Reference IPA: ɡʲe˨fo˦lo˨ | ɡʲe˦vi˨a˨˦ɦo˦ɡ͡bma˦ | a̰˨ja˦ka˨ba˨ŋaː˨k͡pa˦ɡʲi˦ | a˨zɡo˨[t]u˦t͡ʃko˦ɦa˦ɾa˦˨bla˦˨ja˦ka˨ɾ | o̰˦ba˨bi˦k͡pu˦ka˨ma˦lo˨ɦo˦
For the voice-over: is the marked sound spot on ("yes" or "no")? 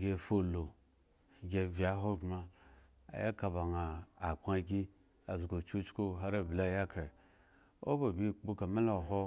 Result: no